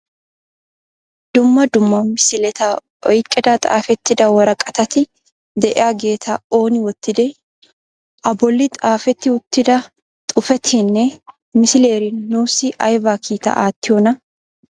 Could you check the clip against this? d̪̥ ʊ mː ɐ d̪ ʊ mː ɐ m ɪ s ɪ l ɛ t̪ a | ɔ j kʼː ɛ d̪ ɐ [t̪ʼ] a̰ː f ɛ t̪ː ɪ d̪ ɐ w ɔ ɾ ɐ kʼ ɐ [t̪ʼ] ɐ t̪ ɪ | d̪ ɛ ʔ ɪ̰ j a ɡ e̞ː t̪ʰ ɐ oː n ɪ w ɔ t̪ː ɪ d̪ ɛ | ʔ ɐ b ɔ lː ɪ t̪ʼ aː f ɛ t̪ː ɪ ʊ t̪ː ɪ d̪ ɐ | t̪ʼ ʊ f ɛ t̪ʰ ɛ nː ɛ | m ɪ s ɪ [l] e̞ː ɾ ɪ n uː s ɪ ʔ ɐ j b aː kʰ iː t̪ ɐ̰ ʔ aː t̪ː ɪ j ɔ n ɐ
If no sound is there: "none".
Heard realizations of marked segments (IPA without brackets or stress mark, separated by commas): t̪ʼ, t̪, l